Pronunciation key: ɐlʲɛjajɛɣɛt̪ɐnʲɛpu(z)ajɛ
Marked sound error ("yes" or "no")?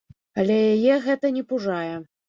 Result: yes